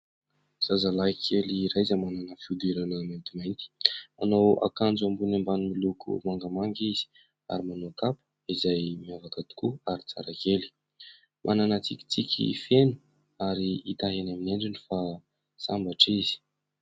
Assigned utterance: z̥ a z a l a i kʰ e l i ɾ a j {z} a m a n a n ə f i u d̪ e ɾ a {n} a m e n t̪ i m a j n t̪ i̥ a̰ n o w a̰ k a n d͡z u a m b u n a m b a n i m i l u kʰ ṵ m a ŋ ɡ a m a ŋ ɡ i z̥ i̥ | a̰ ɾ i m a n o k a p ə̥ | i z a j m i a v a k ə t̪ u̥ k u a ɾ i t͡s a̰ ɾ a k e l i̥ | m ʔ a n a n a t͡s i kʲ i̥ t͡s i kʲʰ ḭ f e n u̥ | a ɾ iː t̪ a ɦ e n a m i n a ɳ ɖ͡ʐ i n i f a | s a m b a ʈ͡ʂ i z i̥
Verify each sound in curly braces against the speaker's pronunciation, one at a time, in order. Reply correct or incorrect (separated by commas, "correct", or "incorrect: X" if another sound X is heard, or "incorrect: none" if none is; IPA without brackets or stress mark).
correct, correct